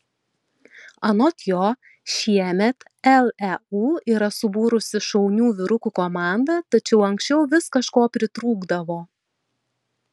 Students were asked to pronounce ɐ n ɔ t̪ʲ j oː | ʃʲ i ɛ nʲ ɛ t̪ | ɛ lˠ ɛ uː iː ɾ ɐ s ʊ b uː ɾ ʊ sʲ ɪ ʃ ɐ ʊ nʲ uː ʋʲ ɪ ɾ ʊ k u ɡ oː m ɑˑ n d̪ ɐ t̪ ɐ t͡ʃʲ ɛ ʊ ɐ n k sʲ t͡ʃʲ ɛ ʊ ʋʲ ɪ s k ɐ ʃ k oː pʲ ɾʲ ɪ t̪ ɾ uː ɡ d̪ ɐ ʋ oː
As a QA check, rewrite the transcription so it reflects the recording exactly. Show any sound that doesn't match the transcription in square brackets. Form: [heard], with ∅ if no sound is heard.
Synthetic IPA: ɐ n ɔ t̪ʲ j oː | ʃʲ i ɛ [mʲ] ɛ t̪ | ɛ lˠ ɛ uː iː ɾ ɐ s ʊ b uː ɾ ʊ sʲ ɪ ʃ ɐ ʊ nʲ uː ʋʲ ɪ ɾ ʊ k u [k] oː m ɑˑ n d̪ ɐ t̪ ɐ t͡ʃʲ ɛ ʊ ɐ [ŋ] k sʲ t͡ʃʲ ɛ ʊ ʋʲ ɪ s k ɐ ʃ k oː pʲ ɾʲ ɪ t̪ ɾ uː ɡ d̪ ɐ ʋ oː